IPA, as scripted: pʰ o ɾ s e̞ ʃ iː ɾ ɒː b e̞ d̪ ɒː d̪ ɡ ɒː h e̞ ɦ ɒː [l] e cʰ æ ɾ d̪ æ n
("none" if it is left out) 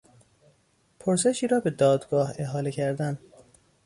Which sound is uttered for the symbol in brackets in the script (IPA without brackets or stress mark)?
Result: l